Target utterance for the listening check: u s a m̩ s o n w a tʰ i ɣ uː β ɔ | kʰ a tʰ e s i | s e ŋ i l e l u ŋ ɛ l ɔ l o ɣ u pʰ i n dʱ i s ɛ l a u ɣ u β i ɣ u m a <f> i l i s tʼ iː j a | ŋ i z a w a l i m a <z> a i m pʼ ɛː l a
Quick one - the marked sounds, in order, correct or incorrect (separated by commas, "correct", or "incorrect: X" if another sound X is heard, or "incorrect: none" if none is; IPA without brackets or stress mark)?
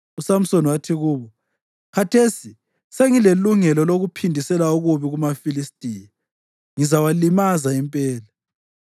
correct, correct